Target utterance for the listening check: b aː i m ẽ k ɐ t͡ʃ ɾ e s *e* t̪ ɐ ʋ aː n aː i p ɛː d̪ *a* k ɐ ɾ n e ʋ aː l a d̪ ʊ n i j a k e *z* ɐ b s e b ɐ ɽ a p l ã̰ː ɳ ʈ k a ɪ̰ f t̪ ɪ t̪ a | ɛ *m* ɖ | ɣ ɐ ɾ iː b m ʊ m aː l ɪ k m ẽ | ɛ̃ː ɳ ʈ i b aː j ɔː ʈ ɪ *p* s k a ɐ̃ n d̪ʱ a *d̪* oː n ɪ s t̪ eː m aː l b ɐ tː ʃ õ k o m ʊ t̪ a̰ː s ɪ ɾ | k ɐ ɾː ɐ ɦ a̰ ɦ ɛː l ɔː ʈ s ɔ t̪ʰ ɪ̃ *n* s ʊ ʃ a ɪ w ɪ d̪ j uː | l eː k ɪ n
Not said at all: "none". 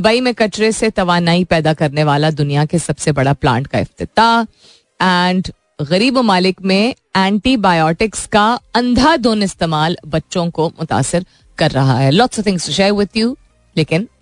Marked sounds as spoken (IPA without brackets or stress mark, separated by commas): e, a, s, ɳ, k, d̪, ŋ